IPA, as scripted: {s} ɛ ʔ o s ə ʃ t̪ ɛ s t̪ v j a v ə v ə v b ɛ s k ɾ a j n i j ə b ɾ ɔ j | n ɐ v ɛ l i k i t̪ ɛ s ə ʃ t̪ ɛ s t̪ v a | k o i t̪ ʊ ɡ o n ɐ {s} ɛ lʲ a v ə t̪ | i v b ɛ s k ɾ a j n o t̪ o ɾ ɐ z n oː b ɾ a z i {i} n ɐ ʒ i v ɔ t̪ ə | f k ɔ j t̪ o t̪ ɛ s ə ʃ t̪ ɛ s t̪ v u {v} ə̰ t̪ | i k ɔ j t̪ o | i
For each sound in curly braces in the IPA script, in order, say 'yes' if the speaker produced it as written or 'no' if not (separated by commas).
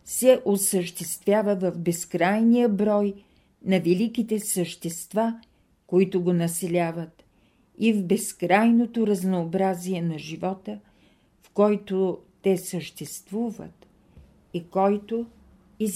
yes, yes, no, yes